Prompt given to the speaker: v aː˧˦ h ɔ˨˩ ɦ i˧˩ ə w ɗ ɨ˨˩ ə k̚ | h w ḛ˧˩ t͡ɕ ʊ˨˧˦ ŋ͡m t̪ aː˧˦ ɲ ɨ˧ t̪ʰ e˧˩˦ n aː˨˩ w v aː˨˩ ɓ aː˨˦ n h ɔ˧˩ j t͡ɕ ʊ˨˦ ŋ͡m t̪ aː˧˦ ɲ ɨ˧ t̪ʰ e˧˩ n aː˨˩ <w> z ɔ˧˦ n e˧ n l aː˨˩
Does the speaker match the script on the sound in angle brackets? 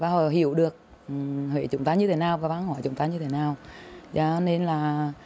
yes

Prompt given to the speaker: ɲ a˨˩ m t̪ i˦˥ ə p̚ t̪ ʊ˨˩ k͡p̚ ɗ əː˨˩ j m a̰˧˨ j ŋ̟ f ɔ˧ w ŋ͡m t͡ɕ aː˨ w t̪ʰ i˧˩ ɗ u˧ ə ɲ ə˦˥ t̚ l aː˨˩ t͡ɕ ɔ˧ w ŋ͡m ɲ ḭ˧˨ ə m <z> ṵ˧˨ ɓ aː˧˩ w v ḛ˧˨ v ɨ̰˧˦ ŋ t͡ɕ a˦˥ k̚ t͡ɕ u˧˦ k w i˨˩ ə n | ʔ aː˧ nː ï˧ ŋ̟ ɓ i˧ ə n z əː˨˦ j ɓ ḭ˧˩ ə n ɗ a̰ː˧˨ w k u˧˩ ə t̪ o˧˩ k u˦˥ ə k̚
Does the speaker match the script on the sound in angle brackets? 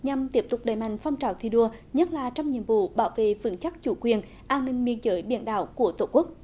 no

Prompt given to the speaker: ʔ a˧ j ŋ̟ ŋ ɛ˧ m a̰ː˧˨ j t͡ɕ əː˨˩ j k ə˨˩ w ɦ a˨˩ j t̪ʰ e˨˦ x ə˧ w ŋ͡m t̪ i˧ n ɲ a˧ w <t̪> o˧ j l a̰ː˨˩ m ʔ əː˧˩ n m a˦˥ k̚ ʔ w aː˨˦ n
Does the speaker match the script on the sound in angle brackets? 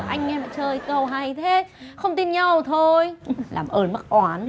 no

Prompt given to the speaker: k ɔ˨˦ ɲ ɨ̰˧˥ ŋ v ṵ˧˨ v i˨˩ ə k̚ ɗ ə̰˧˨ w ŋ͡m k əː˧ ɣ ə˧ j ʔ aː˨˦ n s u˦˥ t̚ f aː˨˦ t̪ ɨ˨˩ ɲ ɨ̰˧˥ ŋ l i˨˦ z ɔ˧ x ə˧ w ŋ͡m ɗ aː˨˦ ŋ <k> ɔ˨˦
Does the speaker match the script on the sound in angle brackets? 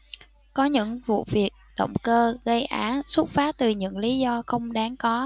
yes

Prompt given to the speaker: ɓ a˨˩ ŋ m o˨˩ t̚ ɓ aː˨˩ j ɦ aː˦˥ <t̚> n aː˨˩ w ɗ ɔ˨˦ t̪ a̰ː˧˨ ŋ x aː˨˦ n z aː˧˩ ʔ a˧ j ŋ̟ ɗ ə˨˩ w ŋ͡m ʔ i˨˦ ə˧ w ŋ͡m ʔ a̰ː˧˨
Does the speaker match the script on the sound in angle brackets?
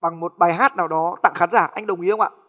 yes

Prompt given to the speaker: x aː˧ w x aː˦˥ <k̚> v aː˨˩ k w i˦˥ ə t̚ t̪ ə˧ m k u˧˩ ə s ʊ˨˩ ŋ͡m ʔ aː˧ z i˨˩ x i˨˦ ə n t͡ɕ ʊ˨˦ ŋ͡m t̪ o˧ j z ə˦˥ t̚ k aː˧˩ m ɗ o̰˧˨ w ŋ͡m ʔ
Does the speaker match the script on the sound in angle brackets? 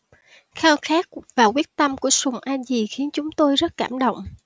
yes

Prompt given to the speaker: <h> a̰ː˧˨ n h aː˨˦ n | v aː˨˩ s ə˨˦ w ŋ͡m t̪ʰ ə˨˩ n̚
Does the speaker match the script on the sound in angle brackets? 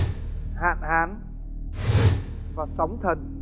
yes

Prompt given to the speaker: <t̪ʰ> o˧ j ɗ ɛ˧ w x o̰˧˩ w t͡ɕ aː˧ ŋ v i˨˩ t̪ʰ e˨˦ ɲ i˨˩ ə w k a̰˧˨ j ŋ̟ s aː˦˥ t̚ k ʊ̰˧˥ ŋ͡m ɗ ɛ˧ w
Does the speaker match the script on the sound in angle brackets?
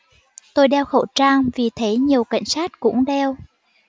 no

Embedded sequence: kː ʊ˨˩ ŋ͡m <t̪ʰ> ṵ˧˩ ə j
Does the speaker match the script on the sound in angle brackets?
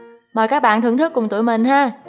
no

